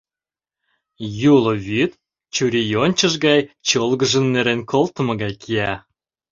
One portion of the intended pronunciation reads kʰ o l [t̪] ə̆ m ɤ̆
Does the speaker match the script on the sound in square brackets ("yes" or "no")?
yes